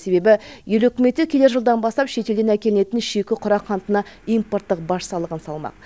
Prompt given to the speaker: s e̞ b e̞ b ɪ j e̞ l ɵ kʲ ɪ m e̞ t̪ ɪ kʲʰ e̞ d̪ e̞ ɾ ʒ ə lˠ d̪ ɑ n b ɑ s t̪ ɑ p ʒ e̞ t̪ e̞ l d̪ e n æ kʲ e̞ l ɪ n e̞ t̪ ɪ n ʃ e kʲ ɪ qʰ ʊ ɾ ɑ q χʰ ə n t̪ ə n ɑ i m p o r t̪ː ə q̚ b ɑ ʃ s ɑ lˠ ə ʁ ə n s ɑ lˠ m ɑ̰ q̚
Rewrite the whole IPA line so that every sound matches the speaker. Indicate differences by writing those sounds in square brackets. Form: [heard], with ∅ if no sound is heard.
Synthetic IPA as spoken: s e̞ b e̞ b ɪ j e̞ l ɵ kʲ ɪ m e̞ t̪ ɪ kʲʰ e̞ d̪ e̞ ɾ ʒ ə lˠ d̪ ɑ n b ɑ s t̪ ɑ p [ʃ] e̞ t̪ e̞ l d̪ e n æ kʲ e̞ l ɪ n e̞ t̪ ɪ n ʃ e kʲ ɪ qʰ ʊ ɾ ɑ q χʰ [ɑ] n t̪ ə n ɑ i m p o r t̪ː ə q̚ b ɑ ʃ s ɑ lˠ ə ʁ ə n s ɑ lˠ m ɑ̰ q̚